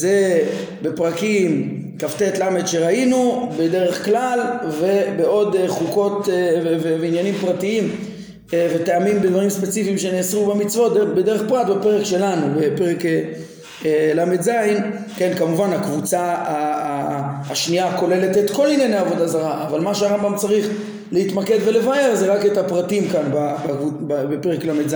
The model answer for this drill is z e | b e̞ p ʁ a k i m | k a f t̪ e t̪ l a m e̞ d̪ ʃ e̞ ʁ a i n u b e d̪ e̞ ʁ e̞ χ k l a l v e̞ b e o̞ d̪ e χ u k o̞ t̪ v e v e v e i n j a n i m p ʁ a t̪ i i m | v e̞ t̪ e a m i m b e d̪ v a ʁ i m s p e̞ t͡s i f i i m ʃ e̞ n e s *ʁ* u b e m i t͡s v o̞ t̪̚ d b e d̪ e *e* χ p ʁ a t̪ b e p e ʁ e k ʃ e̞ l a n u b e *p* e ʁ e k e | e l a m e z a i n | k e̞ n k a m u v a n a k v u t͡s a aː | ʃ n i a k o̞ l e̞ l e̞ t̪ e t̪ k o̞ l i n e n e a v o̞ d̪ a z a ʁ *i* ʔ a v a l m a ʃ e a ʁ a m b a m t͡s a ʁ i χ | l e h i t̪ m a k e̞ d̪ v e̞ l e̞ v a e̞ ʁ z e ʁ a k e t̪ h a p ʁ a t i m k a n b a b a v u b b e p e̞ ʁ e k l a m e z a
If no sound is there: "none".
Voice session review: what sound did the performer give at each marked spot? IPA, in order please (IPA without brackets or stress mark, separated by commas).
ʁ, e, p, a